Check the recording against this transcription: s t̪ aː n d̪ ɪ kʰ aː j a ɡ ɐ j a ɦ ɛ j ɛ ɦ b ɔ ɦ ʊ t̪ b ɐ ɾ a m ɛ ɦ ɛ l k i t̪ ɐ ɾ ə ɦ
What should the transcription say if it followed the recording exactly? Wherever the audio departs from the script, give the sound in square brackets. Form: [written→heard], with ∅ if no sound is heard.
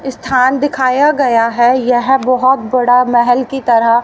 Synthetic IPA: s [t̪→t̪ʰ] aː n d̪ ɪ kʰ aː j a ɡ ɐ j a ɦ ɛ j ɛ ɦ b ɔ ɦ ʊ t̪ b ɐ [ɾ→ɽ] a m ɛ ɦ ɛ l k i t̪ ɐ ɾ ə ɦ